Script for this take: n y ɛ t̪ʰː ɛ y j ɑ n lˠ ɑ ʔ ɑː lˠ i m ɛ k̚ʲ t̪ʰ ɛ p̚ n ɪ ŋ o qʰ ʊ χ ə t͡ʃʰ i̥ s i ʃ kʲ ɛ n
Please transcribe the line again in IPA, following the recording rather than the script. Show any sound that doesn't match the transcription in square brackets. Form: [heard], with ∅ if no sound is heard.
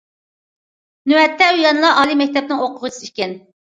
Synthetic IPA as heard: n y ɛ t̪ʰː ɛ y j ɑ n lˠ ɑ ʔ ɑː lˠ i m ɛ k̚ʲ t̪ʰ ɛ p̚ n ɪ ŋ o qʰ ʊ [ʁ] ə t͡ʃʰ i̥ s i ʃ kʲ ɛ n